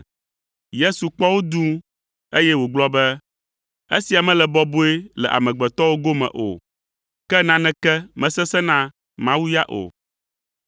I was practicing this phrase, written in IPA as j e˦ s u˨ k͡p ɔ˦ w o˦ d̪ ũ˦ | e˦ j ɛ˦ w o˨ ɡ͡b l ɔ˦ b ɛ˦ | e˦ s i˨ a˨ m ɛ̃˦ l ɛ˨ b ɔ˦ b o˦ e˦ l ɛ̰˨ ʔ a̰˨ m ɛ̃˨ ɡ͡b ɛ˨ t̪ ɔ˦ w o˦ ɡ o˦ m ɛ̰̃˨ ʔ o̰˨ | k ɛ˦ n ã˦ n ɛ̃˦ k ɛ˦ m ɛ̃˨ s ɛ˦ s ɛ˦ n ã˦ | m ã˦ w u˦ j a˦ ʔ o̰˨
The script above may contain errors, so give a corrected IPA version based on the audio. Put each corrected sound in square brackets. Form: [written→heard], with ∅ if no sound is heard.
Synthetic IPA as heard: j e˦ s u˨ k͡p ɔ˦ w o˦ d̪ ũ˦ | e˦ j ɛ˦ w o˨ ɡ͡b l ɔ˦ b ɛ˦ | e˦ s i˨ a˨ m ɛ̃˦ l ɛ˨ b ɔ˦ b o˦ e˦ l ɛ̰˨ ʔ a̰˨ m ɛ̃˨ ɡ͡b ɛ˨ t̪ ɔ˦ w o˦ ɡ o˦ m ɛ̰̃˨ ʔ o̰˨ | k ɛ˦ n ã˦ n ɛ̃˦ k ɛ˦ m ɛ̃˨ s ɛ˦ s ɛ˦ n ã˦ | m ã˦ w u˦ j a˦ ʔ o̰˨

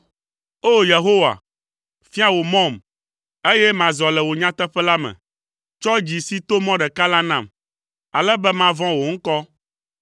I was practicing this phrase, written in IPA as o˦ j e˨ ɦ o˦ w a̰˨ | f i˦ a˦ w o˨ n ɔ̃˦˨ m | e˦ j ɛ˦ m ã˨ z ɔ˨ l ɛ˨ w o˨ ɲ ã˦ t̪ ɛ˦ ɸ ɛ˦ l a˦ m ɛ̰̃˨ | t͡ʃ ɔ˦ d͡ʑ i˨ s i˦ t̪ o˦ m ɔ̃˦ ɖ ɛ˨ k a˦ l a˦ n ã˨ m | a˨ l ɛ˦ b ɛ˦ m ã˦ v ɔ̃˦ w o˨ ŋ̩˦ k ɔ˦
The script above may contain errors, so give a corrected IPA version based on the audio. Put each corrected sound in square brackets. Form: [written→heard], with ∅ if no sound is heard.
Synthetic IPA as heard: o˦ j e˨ ɦ o˦ w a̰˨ | f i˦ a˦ w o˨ [n→m] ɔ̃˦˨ m | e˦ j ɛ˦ m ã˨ z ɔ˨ l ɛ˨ w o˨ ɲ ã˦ t̪ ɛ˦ ɸ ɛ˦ l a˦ m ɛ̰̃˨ | t͡ʃ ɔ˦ d͡ʑ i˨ s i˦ t̪ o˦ m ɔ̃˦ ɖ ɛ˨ k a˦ l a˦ n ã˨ m | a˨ l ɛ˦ b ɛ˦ m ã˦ v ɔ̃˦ w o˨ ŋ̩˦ k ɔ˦

